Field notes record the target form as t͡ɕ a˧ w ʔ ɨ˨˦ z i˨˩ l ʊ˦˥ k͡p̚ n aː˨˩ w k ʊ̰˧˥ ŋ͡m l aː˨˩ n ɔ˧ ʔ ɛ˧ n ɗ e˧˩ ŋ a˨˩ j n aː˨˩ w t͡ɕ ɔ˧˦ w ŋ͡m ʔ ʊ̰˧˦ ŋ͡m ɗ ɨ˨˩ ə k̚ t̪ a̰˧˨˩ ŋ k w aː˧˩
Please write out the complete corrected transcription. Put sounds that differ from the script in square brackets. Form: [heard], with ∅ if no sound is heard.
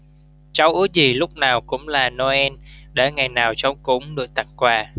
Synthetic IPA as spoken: t͡ɕ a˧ w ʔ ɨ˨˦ z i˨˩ l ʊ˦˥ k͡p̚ n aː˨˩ w k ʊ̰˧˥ ŋ͡m l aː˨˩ n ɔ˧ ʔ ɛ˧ n ɗ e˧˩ ŋ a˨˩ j n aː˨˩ w t͡ɕ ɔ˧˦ w ŋ͡m [k] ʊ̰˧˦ ŋ͡m ɗ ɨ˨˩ ə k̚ t̪ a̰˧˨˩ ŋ k w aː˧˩